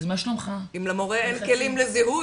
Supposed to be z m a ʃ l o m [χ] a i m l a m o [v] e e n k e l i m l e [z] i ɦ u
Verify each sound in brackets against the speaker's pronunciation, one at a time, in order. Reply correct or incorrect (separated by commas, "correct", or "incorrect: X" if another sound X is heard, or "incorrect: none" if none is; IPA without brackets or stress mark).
correct, incorrect: ʁ, correct